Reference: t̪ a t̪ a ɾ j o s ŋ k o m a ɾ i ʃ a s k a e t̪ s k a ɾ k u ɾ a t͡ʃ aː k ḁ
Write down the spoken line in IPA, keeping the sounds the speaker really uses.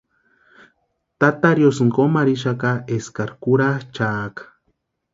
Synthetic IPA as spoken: t̪ a t̪ a ɾ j o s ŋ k o m a ɾ i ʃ a k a e s k a ɾ k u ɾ a t͡ʃ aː k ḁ